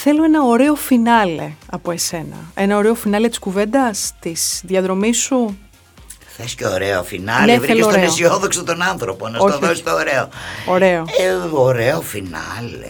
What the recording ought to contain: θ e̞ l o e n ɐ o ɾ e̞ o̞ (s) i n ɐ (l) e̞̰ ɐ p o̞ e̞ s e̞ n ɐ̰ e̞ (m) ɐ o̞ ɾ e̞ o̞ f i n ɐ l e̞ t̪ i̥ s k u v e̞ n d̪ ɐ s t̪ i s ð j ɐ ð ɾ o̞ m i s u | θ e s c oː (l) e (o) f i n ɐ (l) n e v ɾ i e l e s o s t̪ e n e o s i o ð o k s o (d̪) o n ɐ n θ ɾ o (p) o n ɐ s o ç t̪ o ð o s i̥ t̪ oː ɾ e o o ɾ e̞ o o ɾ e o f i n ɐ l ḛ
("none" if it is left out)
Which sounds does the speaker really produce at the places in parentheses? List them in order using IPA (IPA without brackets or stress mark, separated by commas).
f, l, n, ɾ, o, l, t̪, p